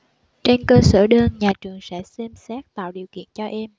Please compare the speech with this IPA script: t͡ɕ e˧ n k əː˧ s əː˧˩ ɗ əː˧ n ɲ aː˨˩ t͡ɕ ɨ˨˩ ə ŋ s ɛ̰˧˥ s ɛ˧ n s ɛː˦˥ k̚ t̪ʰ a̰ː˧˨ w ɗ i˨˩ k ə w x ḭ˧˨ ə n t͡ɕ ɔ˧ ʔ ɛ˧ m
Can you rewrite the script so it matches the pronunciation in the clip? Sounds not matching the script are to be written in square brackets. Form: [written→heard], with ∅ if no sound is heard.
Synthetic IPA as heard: t͡ɕ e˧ n k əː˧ s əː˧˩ ɗ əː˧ n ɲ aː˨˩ t͡ɕ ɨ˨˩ ə ŋ s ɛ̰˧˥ s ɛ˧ [n→m] s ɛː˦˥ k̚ [t̪ʰ→t̪] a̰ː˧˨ w ɗ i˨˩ [k→∅] ə w [x→k] ḭ˧˨ ə n t͡ɕ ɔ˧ ʔ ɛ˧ m